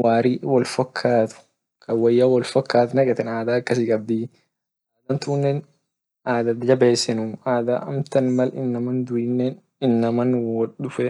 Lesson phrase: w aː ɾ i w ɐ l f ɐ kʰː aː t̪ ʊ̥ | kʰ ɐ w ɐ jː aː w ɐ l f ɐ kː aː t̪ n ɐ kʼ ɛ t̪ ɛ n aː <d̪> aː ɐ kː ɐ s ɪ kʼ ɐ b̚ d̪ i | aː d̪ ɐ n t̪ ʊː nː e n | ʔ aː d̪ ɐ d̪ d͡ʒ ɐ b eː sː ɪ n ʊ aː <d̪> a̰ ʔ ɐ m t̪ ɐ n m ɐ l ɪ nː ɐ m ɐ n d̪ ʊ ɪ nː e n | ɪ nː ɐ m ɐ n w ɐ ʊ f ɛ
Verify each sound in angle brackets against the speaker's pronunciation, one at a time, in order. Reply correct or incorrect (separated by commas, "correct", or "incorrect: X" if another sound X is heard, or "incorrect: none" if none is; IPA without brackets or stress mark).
correct, correct